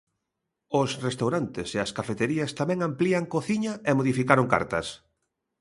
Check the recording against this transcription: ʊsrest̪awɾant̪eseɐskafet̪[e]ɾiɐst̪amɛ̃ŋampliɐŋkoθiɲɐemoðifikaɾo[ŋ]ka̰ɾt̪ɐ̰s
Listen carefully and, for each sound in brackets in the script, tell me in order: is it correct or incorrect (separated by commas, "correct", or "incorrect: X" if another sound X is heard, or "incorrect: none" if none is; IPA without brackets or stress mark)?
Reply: correct, correct